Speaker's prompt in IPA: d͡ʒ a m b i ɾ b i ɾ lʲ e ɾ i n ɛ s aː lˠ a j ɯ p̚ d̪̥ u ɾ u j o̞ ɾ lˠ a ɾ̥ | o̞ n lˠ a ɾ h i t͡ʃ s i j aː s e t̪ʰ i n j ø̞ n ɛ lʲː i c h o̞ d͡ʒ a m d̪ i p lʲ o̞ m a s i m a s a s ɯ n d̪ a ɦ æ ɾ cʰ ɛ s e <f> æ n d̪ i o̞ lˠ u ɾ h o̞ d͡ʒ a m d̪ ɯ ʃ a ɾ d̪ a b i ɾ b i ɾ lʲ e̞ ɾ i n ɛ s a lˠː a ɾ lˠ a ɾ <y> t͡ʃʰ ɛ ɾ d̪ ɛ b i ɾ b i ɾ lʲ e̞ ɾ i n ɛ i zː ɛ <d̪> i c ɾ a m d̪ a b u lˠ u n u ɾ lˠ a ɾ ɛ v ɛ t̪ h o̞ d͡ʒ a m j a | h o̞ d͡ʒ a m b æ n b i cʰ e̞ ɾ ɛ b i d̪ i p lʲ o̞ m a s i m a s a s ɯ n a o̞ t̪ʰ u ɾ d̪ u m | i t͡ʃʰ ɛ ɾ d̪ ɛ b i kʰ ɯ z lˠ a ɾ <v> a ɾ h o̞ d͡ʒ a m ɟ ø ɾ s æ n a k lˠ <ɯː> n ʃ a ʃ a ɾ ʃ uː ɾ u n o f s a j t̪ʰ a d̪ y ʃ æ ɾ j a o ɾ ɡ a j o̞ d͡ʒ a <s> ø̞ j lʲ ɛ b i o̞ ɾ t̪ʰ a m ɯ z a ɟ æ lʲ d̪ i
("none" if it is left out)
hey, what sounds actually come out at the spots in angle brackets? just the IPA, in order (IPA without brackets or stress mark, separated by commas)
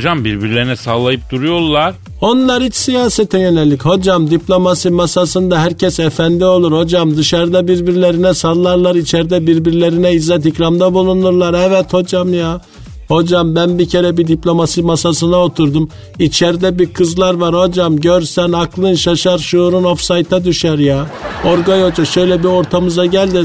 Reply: f, i, t̪, v, ɯ, ʃ